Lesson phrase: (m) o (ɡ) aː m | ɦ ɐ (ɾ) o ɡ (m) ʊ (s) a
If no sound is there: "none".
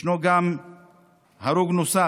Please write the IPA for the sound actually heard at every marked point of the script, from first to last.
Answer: n, ɡ, ɾ, n, s

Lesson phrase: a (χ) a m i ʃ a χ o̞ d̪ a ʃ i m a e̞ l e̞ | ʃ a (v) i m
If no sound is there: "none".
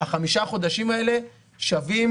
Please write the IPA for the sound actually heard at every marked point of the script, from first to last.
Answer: χ, v

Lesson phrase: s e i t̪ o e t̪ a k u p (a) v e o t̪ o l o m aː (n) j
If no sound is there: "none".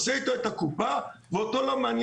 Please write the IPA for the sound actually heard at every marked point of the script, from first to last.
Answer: a, n

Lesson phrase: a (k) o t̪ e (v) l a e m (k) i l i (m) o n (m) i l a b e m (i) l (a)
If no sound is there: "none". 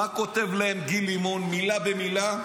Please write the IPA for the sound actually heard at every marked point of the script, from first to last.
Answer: k, v, ɡ, m, m, i, a

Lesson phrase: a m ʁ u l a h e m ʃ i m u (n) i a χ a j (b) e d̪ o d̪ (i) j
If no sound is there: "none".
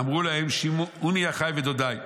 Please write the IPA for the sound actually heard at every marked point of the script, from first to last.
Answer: n, v, a

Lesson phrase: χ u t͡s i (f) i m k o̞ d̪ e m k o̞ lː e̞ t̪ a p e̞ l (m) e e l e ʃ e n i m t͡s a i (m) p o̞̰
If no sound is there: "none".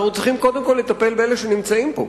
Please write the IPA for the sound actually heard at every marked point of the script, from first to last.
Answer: χ, b, m

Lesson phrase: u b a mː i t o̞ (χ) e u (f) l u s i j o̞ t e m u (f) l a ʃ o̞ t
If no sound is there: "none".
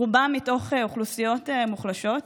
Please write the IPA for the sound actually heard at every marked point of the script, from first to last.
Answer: χ, χ, χ

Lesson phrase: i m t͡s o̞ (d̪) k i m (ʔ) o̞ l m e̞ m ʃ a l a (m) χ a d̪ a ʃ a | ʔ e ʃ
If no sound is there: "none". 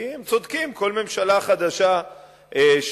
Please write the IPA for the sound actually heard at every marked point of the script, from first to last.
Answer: d̪, k, none

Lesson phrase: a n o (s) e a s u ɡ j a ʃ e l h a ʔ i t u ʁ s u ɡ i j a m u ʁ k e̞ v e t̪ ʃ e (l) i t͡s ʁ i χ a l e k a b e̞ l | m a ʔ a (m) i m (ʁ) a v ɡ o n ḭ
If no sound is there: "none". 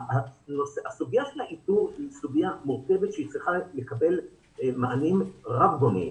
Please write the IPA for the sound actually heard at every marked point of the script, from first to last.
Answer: s, none, n, ʁ

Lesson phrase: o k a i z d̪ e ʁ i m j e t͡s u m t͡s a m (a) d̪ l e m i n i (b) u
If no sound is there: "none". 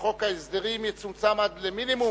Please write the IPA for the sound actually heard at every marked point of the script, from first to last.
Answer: a, m

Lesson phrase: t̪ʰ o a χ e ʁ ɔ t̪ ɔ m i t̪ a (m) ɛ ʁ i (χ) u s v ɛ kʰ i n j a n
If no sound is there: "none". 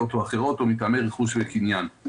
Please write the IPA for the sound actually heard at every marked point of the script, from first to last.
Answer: m, χ

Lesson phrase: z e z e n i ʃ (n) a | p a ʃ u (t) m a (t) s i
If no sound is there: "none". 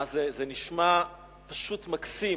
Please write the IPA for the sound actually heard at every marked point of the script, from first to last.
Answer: m, t, k

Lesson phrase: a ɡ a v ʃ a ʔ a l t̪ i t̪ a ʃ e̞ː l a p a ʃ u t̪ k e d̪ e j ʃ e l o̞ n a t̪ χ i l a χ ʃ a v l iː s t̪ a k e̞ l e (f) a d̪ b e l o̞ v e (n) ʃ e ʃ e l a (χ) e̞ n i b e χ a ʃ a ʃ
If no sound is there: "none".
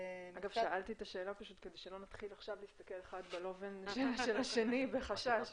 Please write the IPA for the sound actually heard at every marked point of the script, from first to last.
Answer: χ, n, ʃ

